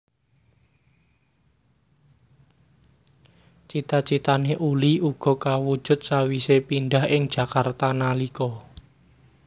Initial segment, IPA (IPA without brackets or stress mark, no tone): t͡ʃ